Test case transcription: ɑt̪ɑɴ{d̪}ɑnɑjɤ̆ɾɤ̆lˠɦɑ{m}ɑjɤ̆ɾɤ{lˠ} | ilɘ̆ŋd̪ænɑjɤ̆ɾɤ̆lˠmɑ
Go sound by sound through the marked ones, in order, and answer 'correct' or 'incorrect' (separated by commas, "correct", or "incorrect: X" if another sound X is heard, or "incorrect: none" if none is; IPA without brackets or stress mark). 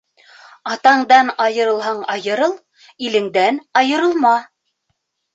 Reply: correct, incorrect: ɴ, correct